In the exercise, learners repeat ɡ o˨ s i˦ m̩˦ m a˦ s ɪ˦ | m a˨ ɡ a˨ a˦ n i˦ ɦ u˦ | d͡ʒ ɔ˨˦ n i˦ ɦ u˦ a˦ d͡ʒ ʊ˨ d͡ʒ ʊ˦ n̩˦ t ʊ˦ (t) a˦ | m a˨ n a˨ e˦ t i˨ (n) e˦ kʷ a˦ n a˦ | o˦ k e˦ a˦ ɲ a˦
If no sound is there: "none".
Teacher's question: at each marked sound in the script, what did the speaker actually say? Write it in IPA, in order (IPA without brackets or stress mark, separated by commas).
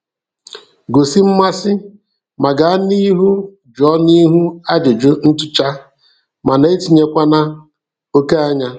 t͡ʃ, ɲ